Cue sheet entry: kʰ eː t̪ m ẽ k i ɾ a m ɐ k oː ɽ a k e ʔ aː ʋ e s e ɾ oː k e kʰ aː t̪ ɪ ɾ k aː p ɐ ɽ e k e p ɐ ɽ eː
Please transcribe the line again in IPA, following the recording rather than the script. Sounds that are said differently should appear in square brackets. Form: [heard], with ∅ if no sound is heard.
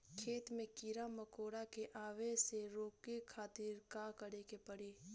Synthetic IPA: kʰ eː t̪ m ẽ k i ɾ a m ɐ k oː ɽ a k e ʔ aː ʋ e s e ɾ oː k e kʰ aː t̪ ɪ ɾ k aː [k] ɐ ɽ e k e p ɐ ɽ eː

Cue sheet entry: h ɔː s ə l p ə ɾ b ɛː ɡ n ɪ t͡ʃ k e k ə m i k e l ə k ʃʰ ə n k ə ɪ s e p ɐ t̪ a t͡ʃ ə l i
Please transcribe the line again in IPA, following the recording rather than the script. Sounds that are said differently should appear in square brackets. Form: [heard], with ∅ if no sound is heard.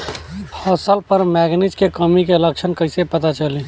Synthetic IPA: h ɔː s ə l p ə ɾ [m] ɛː ɡ n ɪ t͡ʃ k e k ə m i k e l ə k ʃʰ ə n k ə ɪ s e p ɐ t̪ a t͡ʃ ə l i

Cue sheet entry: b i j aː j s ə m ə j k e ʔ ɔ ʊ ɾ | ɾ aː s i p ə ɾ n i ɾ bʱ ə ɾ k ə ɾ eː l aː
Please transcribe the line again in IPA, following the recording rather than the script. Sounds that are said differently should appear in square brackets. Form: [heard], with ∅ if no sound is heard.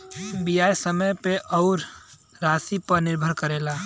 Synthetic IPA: b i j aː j s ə m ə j [p] e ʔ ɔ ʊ ɾ | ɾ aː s i p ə ɾ n [ɪ] ɾ bʱ ə ɾ k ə ɾ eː l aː

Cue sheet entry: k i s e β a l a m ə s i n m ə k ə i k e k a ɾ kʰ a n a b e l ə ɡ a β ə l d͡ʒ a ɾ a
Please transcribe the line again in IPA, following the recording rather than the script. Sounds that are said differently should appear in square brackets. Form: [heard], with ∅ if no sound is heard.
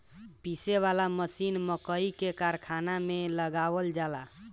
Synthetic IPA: [p] i s e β a l a m ə s i n m ə k ə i k e k a ɾ kʰ a n a [m] e l ə ɡ a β ə l d͡ʒ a [l] a

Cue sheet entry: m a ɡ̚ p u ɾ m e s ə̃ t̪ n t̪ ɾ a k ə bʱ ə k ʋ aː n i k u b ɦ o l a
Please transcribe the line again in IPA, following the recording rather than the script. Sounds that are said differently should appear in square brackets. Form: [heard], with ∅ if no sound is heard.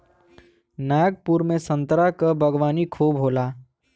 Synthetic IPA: [n] a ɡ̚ p u ɾ m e s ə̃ [∅] n t̪ ɾ a k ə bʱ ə [ɡ] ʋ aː n i [kʰ] u b ɦ o l a

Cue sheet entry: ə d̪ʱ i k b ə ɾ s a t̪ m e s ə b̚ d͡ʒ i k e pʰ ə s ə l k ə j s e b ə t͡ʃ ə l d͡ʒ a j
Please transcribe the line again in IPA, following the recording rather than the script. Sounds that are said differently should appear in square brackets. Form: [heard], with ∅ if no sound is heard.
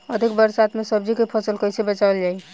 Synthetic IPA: ə d̪ʱ i k b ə ɾ s a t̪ m e s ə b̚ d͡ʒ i k e pʰ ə s ə l k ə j s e b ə t͡ʃ [a] l d͡ʒ a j

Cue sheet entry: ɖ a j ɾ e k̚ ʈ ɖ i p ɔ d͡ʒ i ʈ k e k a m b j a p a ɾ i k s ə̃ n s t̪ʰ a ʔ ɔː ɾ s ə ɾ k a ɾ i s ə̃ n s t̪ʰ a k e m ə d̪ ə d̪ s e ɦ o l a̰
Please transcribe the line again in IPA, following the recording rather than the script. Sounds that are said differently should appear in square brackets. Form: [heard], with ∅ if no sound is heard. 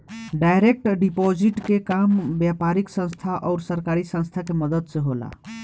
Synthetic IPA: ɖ a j ɾ e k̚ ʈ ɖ i p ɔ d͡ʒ i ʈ k e k a m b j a p a ɾ i k s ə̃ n s t̪ʰ a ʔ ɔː ɾ s ə ɾ k a ɾ i s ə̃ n s t̪ʰ a k e m ə d̪ ə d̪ s e ɦ o l a̰

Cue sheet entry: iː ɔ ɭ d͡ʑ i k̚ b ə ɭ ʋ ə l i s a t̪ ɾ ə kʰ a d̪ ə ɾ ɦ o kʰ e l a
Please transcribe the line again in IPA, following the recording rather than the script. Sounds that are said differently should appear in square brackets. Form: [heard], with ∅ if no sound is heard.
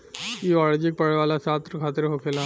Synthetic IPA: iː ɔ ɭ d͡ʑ i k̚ [p] ə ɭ ʋ [a] l [a] s a t̪ ɾ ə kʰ a [t̪] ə ɾ ɦ o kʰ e l a

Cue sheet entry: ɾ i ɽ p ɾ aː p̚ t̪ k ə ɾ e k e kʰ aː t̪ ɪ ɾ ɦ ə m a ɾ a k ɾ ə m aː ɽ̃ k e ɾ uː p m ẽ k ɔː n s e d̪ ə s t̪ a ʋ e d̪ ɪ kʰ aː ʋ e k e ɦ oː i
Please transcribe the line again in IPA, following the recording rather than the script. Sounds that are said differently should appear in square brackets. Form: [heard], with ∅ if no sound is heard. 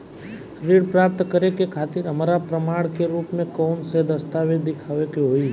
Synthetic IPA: ɾ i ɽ p ɾ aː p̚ t̪ k ə ɾ e k e kʰ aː t̪ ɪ ɾ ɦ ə m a ɾ a [p] ɾ ə m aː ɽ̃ k e ɾ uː p m ẽ k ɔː n s e d̪ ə s t̪ a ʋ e d̪ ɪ kʰ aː ʋ e k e ɦ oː i

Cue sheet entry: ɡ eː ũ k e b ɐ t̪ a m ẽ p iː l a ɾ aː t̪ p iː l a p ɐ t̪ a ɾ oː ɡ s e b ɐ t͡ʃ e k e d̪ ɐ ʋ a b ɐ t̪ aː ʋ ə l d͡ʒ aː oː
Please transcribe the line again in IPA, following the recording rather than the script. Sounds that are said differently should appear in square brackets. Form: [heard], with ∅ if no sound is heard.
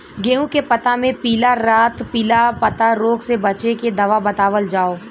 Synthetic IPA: ɡ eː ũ k e [p] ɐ t̪ a m ẽ p iː l a ɾ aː t̪ p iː l a p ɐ t̪ a ɾ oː ɡ s e b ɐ t͡ʃ e k e d̪ ɐ ʋ a b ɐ t̪ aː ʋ ə l d͡ʒ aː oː

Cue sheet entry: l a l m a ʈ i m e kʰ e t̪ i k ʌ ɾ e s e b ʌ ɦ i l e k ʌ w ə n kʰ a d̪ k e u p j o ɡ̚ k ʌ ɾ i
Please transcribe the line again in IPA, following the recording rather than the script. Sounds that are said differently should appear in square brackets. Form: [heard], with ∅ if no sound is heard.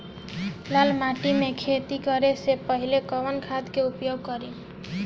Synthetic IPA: l a l m a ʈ i m e kʰ e t̪ i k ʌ ɾ e s e [p] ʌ ɦ i l e k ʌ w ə n kʰ a d̪ k e u p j o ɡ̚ k ʌ ɾ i

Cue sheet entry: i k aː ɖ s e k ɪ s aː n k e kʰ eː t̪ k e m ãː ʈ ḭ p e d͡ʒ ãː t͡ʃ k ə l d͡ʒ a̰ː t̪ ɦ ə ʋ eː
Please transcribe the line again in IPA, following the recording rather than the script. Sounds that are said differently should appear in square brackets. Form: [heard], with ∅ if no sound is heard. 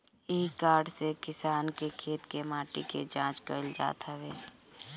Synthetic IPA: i k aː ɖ s e k ɪ s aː n k e kʰ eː t̪ k e m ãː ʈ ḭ [k] e d͡ʒ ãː t͡ʃ k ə l d͡ʒ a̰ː t̪ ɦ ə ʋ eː

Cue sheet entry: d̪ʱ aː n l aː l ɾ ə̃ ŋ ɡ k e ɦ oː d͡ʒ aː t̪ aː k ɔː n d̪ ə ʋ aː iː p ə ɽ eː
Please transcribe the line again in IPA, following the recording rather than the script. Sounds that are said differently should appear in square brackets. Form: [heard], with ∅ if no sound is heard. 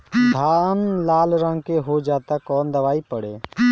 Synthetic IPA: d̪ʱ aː n l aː l ɾ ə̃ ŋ ɡ k e ɦ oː d͡ʒ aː t̪ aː k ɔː n d̪ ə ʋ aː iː p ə ɽ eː

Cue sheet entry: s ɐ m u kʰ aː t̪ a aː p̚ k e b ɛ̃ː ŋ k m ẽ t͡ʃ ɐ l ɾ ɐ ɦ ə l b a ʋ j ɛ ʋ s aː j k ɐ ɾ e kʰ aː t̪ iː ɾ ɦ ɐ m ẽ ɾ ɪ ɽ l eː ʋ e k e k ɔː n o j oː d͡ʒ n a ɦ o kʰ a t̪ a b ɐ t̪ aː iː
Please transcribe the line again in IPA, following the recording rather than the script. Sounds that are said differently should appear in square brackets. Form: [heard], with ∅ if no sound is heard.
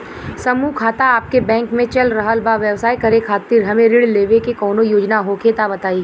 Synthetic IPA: s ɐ m u kʰ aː t̪ a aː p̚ k e b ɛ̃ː ŋ k m ẽ t͡ʃ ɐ l ɾ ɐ ɦ ə l b a ʋ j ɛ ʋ s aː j k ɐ ɾ e kʰ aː t̪ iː ɾ ɦ ɐ m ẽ ɾ ɪ ɽ l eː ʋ e k e k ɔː n o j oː d͡ʒ n a ɦ o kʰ [e] t̪ a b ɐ t̪ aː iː

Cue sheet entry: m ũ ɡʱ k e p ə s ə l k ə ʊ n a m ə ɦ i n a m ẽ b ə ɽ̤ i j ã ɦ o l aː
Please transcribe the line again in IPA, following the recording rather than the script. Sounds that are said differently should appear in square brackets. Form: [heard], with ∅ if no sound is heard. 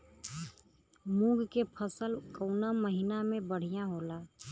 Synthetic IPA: m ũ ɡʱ k e [pʰ] ə s ə l k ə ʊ n a m ə ɦ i n a m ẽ b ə ɽ̤ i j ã ɦ o l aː

